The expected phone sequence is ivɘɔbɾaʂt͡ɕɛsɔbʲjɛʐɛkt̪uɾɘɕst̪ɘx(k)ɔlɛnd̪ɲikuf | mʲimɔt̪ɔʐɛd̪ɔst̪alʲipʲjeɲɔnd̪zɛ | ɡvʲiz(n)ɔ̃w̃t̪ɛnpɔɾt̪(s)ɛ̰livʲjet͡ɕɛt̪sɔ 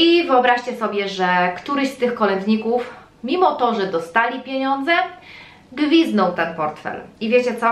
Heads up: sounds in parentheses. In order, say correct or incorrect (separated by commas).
correct, correct, incorrect